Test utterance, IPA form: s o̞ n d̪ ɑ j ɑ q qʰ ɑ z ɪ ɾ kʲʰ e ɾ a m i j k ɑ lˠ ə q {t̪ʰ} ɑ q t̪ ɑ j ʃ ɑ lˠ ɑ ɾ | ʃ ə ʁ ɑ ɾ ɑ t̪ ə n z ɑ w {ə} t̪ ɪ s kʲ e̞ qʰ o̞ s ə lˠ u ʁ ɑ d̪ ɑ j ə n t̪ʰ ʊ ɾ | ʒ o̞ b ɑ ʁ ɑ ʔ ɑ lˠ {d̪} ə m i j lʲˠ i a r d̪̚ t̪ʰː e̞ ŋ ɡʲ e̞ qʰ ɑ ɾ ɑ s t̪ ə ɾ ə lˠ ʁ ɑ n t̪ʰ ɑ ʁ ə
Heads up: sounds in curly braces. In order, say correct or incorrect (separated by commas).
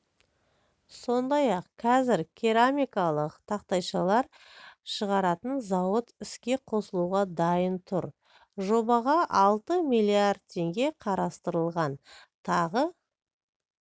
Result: correct, correct, incorrect